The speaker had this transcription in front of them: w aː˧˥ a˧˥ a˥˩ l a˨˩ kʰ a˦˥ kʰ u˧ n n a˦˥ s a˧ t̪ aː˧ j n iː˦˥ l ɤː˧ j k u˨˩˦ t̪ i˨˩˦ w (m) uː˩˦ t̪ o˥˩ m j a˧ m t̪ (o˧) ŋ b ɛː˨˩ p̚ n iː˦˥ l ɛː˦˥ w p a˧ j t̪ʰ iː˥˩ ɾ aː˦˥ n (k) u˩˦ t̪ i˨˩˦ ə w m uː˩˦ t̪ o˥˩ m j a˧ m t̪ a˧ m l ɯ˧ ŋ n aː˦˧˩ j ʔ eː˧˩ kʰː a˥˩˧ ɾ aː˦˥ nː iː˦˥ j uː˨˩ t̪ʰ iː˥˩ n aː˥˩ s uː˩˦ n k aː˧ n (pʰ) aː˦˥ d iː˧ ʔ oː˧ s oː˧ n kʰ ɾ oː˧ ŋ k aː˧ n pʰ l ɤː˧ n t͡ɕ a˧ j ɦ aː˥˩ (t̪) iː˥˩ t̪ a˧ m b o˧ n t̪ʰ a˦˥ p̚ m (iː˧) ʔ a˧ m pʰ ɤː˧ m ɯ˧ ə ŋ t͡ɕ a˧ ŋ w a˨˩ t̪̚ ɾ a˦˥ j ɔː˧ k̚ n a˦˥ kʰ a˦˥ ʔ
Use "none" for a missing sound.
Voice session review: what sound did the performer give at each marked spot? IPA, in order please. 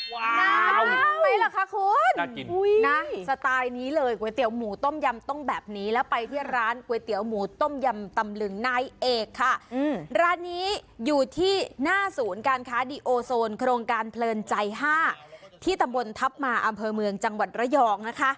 m, o˥˩, k, kʰ, t̪ʰ, aː˧

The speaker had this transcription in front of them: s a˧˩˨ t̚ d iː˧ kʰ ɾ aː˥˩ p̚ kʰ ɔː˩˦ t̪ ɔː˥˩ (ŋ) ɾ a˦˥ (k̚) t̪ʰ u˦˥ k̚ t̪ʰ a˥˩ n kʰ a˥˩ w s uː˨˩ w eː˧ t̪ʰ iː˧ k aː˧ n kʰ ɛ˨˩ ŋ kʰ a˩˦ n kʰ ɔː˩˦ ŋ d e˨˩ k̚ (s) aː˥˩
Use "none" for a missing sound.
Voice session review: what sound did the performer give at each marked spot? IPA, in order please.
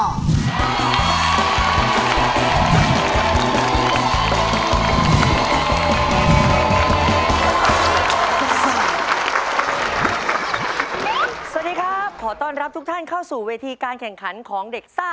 n, p̚, s

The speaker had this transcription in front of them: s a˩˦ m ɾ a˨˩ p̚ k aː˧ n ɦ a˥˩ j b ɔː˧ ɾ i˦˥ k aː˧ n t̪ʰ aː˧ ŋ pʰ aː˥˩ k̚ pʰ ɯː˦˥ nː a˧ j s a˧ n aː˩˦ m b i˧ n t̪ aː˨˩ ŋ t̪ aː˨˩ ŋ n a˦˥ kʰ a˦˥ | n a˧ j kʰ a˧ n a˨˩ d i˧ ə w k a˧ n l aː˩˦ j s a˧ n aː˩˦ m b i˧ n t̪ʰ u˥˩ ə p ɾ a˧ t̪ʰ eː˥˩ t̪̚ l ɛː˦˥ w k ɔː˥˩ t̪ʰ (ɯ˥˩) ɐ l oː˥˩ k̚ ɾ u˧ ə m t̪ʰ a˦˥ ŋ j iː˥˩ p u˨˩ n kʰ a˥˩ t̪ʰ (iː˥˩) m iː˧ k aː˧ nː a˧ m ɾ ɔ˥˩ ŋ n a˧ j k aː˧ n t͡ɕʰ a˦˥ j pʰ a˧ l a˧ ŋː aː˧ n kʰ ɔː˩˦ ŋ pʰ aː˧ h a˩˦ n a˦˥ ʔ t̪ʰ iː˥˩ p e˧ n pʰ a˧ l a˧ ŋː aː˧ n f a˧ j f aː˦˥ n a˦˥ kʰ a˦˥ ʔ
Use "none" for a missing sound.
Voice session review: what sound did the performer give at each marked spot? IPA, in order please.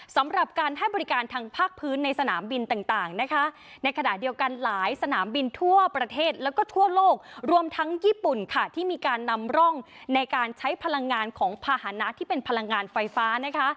u˥˩, iː˥˩

